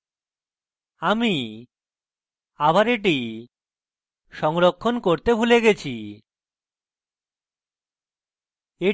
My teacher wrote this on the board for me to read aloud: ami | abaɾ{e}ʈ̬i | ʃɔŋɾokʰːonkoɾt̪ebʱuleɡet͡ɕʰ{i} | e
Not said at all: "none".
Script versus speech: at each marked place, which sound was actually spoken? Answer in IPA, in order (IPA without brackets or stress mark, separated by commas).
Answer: e, i